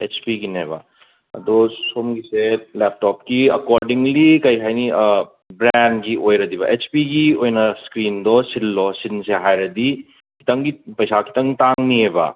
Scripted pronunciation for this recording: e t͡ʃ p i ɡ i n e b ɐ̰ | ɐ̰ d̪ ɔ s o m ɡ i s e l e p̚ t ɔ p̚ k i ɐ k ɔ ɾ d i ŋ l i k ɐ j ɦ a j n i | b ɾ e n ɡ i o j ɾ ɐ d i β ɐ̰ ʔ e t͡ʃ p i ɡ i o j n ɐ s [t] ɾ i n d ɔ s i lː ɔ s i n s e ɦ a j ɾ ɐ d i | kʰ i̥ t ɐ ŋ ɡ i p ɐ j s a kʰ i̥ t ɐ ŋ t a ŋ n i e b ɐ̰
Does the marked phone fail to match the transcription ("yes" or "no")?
yes